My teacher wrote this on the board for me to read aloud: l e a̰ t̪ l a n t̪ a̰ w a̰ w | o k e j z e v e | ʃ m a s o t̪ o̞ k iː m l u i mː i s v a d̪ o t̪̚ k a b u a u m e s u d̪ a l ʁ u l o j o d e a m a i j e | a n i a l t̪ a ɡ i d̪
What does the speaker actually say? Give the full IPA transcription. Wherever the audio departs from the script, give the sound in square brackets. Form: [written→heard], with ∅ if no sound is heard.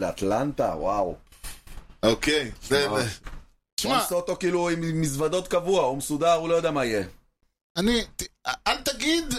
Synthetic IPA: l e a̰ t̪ l a n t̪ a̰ w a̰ w | o k e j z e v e | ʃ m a s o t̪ o̞ k iː [m→∅] l u i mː i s v a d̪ o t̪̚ k a [b→v] u a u m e s u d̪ a [l→∅] ʁ u l o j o d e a m a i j e | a n i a l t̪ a ɡ i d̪